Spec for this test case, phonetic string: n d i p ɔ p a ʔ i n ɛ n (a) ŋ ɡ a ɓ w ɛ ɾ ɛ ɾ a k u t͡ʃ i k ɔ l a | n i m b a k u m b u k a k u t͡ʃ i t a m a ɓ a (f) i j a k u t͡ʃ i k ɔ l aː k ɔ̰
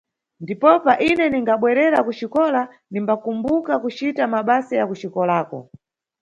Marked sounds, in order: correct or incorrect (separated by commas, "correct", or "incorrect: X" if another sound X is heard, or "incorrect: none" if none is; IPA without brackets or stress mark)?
incorrect: i, incorrect: s